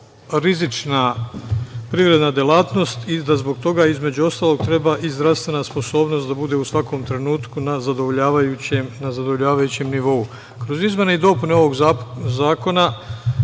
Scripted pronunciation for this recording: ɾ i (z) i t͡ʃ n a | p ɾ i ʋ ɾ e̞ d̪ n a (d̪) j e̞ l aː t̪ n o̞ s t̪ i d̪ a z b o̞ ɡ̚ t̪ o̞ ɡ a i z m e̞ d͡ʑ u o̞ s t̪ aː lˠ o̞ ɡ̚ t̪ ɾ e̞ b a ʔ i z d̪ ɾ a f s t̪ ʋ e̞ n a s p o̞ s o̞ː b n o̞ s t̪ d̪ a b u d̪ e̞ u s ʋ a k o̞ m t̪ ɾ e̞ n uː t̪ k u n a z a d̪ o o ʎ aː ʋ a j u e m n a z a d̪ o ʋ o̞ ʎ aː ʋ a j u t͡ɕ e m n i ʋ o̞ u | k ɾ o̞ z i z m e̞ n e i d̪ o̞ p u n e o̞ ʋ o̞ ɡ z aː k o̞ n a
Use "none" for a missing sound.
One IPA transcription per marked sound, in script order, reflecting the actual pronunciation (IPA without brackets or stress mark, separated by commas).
z, d̪